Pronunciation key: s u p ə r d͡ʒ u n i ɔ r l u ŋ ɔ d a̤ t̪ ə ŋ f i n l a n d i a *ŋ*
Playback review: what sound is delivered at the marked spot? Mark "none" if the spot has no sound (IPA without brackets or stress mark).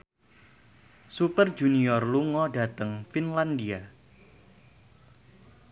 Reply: none